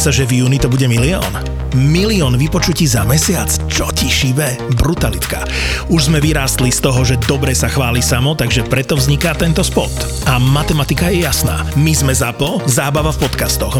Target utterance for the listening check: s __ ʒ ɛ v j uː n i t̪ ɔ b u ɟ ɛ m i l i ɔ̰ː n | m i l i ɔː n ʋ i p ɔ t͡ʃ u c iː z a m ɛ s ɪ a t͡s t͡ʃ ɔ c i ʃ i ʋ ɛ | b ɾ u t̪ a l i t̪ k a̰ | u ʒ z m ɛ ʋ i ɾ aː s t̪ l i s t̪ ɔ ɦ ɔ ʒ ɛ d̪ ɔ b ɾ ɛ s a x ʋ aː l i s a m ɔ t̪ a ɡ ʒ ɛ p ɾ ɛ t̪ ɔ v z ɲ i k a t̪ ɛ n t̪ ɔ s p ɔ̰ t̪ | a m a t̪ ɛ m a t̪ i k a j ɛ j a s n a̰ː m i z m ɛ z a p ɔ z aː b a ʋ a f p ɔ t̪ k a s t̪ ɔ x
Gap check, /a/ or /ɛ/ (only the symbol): a